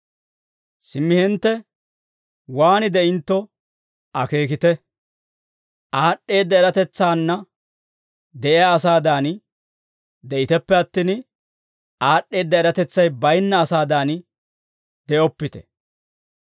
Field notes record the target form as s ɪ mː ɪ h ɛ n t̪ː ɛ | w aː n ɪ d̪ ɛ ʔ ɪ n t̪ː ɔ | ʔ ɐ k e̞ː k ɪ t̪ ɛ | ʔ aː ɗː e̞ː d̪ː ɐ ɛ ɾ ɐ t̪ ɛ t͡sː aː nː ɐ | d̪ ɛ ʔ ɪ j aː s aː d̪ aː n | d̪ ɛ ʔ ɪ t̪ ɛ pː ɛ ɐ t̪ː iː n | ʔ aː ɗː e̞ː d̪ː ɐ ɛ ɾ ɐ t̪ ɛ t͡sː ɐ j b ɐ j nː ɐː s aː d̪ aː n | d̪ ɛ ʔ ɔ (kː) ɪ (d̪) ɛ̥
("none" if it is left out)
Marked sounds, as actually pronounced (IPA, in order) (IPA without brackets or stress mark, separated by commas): pː, t̪